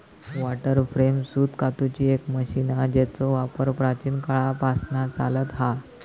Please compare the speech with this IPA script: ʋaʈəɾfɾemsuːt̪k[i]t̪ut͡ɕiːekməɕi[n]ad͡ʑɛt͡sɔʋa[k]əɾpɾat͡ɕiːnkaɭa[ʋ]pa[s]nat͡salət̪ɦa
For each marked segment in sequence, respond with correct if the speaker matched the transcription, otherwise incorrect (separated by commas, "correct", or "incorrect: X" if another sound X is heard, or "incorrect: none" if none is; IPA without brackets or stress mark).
incorrect: a, correct, incorrect: p, incorrect: none, correct